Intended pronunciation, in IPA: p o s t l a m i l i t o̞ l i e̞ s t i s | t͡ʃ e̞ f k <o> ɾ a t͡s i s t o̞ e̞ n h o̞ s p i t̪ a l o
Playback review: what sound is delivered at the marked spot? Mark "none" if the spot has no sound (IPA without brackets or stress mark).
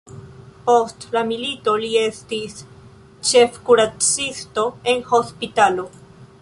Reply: u